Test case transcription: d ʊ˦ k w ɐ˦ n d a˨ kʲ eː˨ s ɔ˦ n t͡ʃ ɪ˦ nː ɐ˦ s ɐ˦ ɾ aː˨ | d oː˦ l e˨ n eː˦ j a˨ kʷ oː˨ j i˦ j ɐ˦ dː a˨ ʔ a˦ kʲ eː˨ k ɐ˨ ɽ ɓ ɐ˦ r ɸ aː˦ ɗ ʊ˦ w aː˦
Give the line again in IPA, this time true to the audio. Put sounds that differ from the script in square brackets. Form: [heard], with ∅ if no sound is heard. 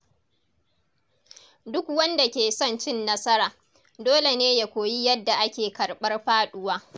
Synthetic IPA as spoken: d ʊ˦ k w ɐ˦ n d a˨ kʲ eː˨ s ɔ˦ n t͡ʃ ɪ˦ nː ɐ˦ s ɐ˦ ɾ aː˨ | d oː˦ l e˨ n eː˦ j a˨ kʷ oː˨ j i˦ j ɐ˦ dː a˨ ʔ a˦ kʲ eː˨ k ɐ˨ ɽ ɓ ɐ˦ r ɸ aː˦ ɗ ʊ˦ w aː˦

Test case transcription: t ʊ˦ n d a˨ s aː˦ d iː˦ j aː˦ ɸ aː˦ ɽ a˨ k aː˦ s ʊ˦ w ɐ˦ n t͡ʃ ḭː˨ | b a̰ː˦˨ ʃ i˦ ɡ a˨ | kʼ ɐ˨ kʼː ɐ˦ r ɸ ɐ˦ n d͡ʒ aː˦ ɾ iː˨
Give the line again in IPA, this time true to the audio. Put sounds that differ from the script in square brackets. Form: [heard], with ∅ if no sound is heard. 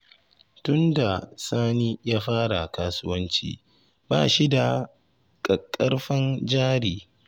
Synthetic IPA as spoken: t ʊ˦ n d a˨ s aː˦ [n] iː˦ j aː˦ ɸ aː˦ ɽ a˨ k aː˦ s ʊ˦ w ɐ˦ n t͡ʃ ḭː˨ | b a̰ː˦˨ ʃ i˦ [d] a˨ | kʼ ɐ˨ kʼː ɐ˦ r ɸ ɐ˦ n d͡ʒ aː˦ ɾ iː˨

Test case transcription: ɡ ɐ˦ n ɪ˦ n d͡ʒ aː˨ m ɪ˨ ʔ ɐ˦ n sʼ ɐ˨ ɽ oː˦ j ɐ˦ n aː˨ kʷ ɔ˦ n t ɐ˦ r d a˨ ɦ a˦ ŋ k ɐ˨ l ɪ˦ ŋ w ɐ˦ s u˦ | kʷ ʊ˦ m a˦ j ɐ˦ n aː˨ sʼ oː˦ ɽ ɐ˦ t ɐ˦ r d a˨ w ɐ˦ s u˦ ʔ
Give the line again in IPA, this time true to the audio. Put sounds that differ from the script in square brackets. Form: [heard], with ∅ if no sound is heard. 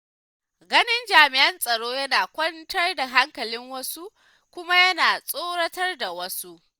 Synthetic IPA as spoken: ɡ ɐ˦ n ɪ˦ n d͡ʒ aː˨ m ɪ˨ ʔ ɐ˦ n sʼ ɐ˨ ɽ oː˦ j ɐ˦ n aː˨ kʷ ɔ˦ n t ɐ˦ r d a˨ ɦ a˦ ŋ k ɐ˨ l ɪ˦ ŋ w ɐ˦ s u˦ | kʷ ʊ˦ m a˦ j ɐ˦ n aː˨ sʼ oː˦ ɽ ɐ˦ t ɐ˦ r d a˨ w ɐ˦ s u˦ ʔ

